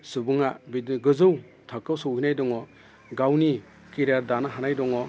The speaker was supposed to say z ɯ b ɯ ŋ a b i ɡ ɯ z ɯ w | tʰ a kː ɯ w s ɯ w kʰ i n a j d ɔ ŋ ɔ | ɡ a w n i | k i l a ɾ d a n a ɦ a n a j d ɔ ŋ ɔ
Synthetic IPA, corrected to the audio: s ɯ b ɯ ŋ a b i ɡ ɯ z ɯ w | tʰ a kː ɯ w s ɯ w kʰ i n a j d ɔ ŋ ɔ | ɡ a w n i | k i ɾ a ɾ d a n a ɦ a n a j d ɔ ŋ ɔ